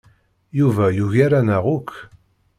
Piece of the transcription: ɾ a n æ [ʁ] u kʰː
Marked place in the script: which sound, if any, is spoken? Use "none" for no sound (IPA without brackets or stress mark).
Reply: ʁ